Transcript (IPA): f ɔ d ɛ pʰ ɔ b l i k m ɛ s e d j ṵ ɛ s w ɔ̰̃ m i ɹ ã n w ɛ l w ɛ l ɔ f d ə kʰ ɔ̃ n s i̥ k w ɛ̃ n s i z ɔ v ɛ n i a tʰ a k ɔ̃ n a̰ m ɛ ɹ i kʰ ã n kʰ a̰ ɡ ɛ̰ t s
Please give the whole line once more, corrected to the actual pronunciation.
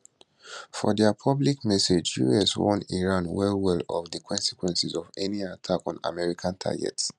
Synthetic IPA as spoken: f ɔ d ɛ pʰ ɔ b l i k m ɛ s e d͡ʒ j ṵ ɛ s w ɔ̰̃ n i ɹ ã n w ɛ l w ɛ l ɔ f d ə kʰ ɔ̃ n s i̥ k w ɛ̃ n s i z ɔ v ɛ n i a tʰ a k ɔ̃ n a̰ m ɛ ɹ i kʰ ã n tʰ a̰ ɡ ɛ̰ t s